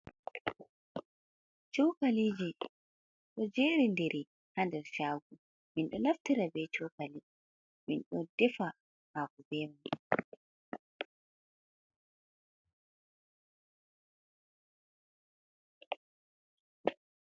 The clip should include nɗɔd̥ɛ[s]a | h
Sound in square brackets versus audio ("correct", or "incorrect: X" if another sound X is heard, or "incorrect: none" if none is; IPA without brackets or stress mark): incorrect: f